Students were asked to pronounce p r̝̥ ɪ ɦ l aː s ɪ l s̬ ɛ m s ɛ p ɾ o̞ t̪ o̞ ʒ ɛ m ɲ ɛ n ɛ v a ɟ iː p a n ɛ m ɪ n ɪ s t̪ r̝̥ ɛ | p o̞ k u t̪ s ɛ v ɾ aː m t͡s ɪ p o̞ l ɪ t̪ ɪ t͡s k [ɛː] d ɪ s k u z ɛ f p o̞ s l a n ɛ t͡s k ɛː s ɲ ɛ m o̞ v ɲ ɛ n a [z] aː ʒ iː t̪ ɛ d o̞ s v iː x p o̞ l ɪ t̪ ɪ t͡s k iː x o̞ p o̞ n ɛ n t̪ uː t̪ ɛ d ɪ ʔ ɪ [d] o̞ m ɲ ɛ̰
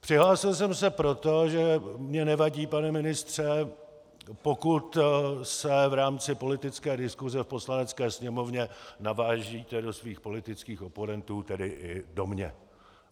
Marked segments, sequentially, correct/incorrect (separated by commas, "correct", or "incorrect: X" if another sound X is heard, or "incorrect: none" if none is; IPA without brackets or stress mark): correct, incorrect: v, correct